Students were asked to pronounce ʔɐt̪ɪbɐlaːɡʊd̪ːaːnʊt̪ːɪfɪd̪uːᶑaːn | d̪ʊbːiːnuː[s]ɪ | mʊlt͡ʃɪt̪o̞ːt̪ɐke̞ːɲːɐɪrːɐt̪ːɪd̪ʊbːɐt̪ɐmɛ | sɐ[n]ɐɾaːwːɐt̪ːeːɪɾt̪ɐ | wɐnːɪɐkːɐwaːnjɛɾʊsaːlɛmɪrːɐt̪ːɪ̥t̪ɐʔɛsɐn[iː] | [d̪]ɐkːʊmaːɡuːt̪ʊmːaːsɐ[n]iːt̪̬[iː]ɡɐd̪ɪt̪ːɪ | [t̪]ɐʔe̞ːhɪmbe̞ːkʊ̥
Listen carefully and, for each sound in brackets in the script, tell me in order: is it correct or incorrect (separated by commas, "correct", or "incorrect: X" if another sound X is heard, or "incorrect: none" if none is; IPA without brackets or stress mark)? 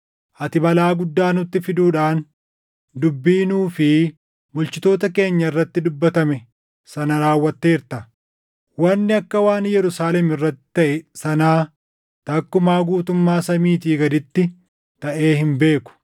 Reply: incorrect: f, correct, incorrect: aː, incorrect: t̪, incorrect: m, correct, correct